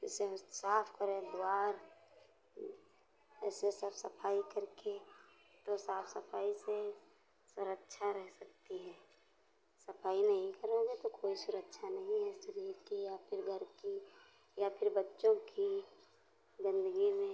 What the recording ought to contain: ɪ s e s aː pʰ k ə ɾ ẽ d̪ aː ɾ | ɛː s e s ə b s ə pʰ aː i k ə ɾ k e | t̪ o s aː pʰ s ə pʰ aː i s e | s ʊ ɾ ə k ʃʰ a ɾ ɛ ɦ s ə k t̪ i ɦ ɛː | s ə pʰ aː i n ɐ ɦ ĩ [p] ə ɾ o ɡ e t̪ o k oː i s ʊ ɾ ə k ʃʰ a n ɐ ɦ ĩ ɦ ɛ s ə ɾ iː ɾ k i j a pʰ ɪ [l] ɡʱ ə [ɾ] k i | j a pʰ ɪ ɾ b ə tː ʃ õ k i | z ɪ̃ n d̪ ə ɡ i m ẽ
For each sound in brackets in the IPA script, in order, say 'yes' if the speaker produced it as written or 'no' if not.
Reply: no, no, yes

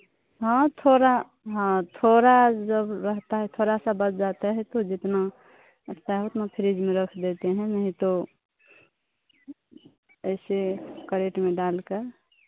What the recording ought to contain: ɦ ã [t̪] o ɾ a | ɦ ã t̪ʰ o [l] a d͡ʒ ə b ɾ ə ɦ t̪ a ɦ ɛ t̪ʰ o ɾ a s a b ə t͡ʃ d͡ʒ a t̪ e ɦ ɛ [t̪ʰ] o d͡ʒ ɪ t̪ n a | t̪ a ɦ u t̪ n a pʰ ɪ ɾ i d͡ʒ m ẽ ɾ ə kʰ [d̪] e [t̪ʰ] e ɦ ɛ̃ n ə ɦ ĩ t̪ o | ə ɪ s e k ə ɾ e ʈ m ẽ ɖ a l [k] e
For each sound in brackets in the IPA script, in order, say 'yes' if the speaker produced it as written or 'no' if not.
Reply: no, no, no, yes, no, yes

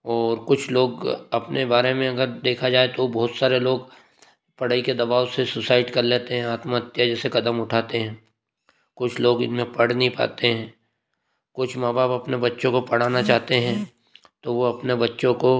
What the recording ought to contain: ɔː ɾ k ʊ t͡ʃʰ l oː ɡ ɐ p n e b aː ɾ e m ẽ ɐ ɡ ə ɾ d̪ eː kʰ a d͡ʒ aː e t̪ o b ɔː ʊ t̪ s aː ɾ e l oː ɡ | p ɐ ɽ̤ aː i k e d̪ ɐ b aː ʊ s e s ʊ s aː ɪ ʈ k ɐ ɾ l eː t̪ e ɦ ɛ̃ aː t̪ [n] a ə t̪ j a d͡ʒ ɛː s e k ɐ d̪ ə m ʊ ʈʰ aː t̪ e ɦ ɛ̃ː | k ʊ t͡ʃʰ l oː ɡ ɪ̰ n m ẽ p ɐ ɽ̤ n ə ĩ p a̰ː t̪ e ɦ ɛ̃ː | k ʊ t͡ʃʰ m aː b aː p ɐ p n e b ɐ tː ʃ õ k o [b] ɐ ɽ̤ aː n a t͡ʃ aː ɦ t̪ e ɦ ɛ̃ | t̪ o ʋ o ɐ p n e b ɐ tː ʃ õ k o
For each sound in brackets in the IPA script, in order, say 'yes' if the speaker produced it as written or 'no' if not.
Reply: no, no

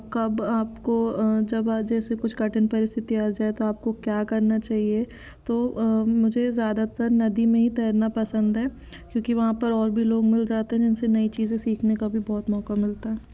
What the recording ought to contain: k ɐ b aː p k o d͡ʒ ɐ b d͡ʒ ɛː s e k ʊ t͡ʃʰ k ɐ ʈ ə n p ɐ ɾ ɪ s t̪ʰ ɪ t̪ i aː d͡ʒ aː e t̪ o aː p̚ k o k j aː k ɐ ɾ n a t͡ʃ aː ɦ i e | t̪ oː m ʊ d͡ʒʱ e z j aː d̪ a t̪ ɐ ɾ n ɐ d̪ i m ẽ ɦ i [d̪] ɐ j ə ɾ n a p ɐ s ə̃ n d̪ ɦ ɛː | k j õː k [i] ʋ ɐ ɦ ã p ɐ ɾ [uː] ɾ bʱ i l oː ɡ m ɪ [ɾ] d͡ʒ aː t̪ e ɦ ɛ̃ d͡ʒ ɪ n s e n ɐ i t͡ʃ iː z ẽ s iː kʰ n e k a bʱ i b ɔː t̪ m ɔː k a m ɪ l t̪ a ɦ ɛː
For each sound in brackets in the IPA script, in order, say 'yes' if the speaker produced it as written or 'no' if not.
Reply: no, yes, no, no

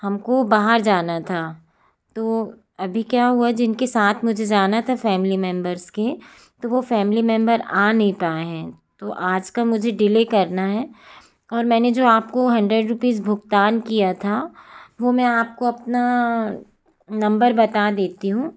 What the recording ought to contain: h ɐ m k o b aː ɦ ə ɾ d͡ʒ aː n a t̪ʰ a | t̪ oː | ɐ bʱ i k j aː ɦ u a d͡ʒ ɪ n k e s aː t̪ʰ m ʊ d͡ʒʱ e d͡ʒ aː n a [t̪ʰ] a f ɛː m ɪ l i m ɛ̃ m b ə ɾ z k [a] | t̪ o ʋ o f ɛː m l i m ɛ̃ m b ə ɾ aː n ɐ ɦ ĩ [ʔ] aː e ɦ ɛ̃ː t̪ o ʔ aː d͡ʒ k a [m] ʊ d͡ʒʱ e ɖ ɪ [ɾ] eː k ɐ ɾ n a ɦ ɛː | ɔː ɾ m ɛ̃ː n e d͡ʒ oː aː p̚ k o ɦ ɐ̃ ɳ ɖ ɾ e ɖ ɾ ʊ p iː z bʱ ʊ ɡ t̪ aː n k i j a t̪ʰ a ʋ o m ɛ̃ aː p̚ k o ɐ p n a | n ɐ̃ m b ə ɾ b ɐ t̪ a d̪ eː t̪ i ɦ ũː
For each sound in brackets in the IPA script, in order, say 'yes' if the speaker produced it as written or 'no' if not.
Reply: yes, no, no, yes, no

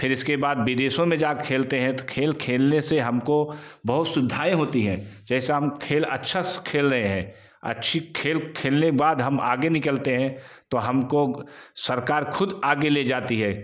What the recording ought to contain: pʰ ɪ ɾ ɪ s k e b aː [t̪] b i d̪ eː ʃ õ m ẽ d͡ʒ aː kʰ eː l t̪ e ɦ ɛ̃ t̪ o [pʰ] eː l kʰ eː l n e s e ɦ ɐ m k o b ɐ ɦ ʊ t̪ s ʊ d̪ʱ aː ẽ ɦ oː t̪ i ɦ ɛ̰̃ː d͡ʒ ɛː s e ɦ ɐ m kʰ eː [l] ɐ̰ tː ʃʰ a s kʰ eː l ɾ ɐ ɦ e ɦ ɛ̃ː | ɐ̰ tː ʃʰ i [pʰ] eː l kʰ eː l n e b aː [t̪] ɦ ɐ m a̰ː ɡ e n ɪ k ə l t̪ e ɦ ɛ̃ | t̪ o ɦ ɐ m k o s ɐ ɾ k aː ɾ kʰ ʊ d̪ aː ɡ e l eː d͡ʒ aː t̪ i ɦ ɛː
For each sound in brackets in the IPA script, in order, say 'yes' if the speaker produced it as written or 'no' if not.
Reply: no, no, yes, no, no

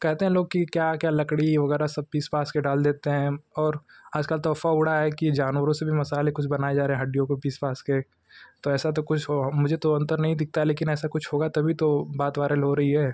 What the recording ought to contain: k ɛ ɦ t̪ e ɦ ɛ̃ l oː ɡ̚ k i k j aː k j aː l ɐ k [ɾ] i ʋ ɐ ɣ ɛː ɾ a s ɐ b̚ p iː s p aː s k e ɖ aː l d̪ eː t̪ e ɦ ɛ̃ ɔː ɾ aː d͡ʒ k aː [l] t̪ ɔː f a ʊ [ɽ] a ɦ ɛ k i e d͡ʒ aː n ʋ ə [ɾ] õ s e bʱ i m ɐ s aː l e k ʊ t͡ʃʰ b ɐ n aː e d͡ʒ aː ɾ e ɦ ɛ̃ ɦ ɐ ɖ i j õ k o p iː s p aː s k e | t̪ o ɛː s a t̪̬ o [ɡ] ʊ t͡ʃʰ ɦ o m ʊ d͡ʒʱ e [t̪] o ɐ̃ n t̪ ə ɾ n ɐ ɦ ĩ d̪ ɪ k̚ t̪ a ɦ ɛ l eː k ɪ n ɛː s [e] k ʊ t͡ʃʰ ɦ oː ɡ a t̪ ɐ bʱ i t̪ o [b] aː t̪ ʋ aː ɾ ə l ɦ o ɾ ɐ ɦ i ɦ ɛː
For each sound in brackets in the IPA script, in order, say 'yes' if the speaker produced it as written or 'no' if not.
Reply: no, yes, yes, yes, no, yes, no, yes

